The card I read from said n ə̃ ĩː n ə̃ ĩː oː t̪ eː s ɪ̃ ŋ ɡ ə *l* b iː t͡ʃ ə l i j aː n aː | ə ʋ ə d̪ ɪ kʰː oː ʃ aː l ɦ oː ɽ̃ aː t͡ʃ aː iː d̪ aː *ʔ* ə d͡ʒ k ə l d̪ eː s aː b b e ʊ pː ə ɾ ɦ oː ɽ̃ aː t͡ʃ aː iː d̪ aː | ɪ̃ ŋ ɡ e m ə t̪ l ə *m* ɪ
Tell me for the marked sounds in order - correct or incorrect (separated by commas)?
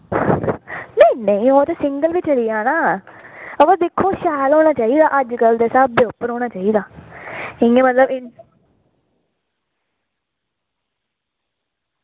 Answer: correct, correct, incorrect